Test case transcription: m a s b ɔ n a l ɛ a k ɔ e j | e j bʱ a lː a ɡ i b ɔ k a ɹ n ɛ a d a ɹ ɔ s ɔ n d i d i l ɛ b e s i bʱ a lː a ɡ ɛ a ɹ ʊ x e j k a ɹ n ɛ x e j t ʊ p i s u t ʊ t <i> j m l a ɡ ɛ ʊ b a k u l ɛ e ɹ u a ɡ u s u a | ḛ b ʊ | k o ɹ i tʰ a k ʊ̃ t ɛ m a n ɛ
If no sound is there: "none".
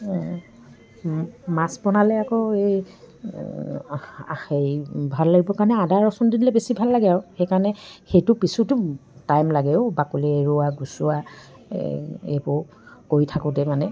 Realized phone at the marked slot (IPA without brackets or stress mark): a